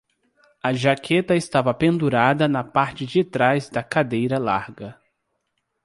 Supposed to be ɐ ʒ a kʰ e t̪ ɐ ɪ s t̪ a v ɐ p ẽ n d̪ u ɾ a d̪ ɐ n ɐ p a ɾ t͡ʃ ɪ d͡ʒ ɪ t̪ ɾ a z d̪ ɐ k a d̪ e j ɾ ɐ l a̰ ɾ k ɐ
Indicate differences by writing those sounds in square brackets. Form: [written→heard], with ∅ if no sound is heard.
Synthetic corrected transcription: ɐ ʒ a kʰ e t̪ ɐ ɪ s t̪ a v ɐ p ẽ n d̪ u ɾ a d̪ ɐ n ɐ p a ɾ t͡ʃ ɪ d͡ʒ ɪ t̪ ɾ a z d̪ ɐ k a d̪ e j ɾ ɐ l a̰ ɾ [k→ɡ] ɐ

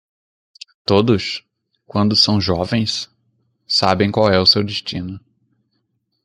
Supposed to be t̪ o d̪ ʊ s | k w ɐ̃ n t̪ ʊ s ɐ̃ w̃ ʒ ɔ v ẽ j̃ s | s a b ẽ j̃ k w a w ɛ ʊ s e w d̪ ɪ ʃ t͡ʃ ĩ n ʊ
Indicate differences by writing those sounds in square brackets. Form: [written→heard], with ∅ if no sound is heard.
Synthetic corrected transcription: t̪ o d̪ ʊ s | k w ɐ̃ n [t̪→d̪] ʊ s ɐ̃ w̃ ʒ ɔ v ẽ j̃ s | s a b ẽ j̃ k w a w ɛ ʊ s e w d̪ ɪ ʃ t͡ʃ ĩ n ʊ

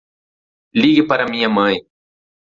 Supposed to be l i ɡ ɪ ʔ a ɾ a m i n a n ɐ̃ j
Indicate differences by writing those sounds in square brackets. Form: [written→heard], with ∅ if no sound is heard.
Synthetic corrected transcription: l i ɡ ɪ [ʔ→p] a ɾ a m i [n→ɲ] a [n→m] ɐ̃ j

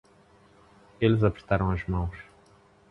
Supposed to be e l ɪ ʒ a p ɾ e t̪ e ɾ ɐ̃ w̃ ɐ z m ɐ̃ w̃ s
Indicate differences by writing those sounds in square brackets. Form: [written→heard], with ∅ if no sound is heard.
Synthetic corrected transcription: e l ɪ [ʒ→z] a p ɾ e t̪ [e→a] ɾ ɐ̃ w̃ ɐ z m ɐ̃ w̃ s

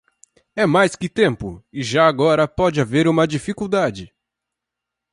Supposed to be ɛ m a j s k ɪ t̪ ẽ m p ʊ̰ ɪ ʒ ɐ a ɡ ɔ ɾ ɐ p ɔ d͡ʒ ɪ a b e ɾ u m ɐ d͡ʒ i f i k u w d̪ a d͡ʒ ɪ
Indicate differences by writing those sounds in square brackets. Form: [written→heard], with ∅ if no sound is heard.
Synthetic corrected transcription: ɛ m a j s k ɪ t̪ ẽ m p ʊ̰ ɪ ʒ [ɐ→a] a ɡ ɔ ɾ ɐ p ɔ d͡ʒ ɪ a [b→v] e ɾ [u→ũ] m ɐ d͡ʒ i f i k u w d̪ a d͡ʒ ɪ

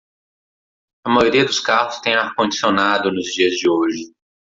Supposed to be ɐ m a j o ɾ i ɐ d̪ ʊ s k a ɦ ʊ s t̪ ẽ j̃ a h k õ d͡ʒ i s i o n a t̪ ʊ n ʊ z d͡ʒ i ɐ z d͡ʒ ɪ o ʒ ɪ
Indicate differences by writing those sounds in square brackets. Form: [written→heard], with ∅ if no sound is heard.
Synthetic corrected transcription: ɐ m a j o ɾ i ɐ d̪ ʊ s k a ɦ ʊ s t̪ ẽ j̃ a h k õ d͡ʒ i s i o n a [t̪→d̪] ʊ n ʊ z d͡ʒ i ɐ z d͡ʒ ɪ o ʒ ɪ

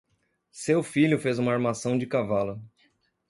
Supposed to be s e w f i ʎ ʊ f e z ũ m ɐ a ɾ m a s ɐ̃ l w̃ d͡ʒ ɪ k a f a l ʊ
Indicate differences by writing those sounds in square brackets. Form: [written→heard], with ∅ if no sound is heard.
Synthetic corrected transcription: s e w f i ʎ ʊ f e z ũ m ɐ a ɾ m a s ɐ̃ [l→∅] w̃ d͡ʒ ɪ k a [f→v] a l ʊ

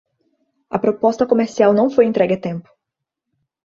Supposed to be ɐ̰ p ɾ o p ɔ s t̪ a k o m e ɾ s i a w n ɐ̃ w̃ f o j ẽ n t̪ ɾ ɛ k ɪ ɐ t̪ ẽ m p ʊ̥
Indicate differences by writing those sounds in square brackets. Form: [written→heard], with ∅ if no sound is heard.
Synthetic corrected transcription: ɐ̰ p ɾ o p ɔ s t̪ [a→ɐ] k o m e ɾ s i a w n ɐ̃ w̃ f o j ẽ n t̪ ɾ ɛ [k→ɡ] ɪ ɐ t̪ ẽ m p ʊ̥

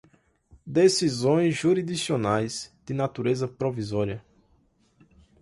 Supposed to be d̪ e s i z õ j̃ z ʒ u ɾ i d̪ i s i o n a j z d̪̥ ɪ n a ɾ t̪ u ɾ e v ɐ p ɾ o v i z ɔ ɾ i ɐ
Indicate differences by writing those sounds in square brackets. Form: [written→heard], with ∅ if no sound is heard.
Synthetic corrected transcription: d̪ e s i z õ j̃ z ʒ u ɾ i d̪ i s i o n a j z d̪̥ ɪ n a [ɾ→∅] t̪ u ɾ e [v→z] ɐ p ɾ o v i z ɔ ɾ i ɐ

